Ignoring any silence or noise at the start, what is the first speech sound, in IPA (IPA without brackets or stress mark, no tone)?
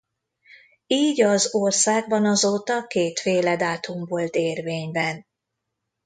iː